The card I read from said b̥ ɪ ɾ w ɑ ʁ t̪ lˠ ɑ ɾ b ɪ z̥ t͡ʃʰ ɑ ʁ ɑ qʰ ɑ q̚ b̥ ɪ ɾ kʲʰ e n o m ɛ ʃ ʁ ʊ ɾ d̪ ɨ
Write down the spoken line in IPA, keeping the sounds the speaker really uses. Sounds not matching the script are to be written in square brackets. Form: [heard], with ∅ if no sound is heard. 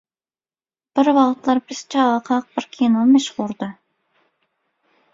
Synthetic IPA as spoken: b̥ ɪ ɾ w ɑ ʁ t̪ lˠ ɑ ɾ b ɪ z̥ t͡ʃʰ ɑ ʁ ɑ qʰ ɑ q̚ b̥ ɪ ɾ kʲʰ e n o m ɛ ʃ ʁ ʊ ɾ d̪ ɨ